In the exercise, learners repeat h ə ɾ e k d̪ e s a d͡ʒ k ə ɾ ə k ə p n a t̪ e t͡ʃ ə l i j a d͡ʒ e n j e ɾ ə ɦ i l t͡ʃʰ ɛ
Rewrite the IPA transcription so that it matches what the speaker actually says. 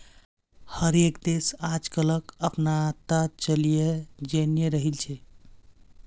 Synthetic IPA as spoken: h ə ɾ e k d̪ e s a d͡ʒ k ə l ə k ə p n a t̪ a t͡ʃ ə l i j e d͡ʒ e n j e ɾ ə ɦ i l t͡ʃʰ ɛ